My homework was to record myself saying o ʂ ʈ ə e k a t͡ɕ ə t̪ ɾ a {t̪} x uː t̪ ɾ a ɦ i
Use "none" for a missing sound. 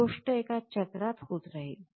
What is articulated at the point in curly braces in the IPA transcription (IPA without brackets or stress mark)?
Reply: t̪